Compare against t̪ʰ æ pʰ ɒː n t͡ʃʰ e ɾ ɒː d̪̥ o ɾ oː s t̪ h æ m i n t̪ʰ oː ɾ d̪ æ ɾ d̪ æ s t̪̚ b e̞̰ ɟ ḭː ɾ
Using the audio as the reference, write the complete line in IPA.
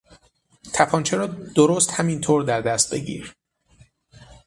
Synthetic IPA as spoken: t̪ʰ æ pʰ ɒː n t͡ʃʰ e ɾ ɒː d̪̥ o ɾ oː s t̪ h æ m i n t̪ʰ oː ɾ d̪ æ ɾ d̪ æ s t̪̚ b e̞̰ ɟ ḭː ɾ